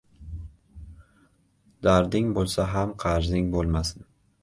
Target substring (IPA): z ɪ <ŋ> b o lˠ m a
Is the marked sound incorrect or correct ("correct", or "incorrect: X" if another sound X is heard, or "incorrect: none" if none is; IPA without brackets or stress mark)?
correct